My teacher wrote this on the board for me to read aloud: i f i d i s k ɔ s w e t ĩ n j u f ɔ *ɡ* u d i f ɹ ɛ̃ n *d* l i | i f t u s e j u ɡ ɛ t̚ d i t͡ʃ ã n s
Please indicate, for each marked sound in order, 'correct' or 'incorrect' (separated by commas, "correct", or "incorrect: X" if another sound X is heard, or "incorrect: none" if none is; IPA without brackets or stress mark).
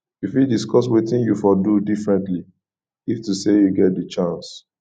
incorrect: d, incorrect: t